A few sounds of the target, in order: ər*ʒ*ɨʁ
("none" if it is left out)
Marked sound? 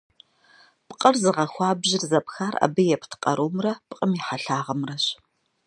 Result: z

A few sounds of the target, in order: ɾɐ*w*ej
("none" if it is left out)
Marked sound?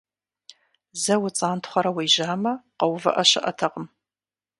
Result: w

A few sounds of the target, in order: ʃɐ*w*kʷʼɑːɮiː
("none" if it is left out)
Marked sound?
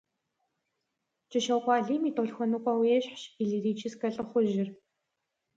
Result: w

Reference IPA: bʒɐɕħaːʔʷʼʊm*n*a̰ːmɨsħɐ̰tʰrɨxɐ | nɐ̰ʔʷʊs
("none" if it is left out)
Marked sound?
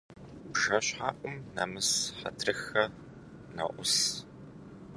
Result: n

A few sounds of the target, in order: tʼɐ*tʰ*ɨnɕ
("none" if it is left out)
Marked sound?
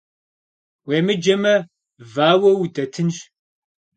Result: tʰ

